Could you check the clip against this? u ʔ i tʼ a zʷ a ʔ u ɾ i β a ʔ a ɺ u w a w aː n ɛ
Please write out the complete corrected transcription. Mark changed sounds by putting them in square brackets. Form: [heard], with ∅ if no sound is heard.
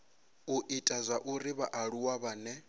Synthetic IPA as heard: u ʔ i tʼ a zʷ a ʔ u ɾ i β a ʔ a ɺ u w a [β] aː n ɛ